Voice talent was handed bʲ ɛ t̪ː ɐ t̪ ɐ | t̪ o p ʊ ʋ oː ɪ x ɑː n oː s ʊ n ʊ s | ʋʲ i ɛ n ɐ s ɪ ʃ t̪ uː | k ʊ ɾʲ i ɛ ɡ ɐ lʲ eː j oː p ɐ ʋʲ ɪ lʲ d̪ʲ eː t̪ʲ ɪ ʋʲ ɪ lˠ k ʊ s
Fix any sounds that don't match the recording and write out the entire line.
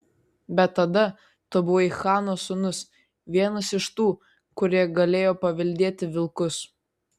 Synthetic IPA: bʲ ɛ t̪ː ɐ d̪ ɐ | t̪ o b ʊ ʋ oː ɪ x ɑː n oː s ʊ n ʊ s | ʋʲ i ɛ n ɐ s ɪ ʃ t̪ uː | k ʊ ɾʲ i ɛ ɡ ɐ lʲ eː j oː p ɐ ʋʲ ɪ lʲ d̪ʲ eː t̪ʲ ɪ ʋʲ ɪ lˠ k ʊ s